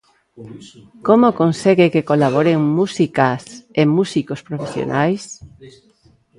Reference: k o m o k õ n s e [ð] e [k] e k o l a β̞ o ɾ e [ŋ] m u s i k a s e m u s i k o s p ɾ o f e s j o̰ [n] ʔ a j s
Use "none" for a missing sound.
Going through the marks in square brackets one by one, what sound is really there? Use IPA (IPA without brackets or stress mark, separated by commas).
ɣ, k, ŋ, n